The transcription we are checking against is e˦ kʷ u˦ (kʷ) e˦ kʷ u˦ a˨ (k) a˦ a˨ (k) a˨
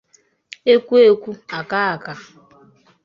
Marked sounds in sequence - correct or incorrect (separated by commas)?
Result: incorrect, correct, correct